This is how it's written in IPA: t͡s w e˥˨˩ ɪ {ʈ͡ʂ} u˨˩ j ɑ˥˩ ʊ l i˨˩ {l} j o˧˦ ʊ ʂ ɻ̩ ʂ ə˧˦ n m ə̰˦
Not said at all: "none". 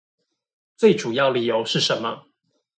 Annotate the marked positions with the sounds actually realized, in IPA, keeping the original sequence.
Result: ʈ͡ʂ, none

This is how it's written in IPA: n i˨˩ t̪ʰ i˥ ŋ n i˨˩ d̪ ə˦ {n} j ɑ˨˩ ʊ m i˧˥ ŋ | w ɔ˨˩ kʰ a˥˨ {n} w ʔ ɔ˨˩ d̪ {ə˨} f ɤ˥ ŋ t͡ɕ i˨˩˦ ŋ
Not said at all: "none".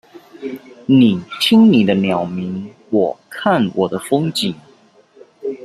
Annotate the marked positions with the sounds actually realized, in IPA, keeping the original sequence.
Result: n, n, ə˦

